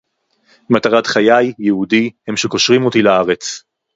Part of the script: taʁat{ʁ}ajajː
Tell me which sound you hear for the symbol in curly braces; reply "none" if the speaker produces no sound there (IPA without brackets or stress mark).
χ